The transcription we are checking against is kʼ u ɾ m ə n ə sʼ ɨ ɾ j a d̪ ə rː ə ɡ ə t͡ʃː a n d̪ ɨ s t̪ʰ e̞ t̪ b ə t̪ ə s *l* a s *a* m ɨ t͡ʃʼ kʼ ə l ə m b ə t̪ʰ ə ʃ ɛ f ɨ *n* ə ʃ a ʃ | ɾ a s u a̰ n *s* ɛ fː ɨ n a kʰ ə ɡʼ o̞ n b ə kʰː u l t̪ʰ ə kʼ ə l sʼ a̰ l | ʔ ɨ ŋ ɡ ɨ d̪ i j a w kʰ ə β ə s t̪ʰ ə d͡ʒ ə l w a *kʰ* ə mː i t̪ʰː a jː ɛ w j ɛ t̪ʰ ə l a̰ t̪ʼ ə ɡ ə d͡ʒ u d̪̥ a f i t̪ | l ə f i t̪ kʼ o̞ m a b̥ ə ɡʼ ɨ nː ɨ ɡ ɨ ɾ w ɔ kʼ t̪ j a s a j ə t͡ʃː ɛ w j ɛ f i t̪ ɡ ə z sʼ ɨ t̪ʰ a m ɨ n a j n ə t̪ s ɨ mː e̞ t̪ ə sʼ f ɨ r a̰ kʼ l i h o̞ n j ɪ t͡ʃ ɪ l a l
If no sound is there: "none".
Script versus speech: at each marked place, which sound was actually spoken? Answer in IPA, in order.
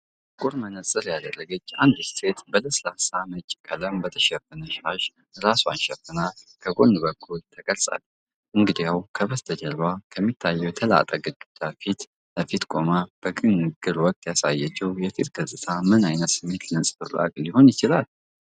l, a, n, ʃ, kʰ

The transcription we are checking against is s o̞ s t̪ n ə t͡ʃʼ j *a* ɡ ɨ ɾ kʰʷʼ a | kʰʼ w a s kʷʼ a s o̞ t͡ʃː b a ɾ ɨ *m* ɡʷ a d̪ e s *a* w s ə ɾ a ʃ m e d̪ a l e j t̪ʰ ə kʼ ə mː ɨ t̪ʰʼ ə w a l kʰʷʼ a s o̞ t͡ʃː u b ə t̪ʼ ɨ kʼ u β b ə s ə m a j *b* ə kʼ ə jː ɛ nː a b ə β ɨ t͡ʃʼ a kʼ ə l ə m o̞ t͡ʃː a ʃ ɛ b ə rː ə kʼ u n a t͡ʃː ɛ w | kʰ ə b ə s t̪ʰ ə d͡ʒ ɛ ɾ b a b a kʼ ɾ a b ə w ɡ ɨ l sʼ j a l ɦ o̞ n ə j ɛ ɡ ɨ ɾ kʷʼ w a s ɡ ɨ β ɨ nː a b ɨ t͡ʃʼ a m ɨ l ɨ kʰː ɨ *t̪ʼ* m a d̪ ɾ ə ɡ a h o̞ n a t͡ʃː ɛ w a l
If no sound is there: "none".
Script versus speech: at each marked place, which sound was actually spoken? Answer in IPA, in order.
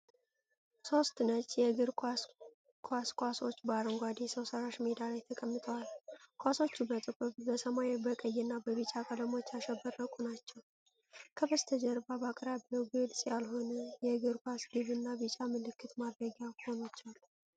ɛ, ŋ, ə, b, t̪

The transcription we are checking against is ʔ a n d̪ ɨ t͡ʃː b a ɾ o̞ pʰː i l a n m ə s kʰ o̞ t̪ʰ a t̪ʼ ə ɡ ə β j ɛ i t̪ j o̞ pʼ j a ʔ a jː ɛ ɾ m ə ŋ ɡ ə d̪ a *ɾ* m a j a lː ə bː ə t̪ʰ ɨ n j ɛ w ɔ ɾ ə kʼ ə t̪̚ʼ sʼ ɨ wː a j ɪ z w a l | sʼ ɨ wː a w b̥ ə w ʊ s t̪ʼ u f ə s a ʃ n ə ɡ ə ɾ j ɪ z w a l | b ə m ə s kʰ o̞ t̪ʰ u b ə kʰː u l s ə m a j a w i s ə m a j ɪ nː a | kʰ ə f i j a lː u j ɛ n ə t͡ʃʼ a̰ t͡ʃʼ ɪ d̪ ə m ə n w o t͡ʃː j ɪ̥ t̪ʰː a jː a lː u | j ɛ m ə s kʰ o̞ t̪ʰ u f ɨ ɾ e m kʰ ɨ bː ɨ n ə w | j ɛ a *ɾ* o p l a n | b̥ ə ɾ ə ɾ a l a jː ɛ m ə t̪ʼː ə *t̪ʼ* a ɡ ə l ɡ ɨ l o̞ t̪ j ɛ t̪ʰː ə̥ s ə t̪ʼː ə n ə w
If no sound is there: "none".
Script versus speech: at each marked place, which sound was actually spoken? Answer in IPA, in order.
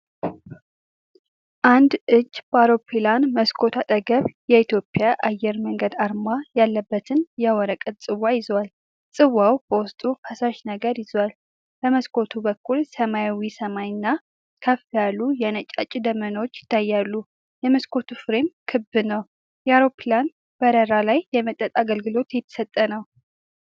ɾ, ɾ, t̪ʼ

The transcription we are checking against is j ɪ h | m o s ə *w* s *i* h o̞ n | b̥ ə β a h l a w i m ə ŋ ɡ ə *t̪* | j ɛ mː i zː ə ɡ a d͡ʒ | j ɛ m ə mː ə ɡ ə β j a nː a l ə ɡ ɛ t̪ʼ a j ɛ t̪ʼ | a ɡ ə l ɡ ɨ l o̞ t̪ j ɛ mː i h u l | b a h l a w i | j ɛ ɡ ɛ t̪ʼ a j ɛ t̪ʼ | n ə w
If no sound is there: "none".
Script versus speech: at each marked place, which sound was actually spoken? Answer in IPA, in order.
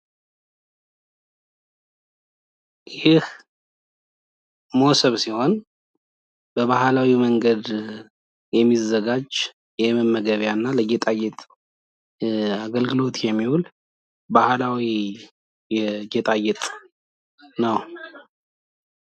β, i, d̪

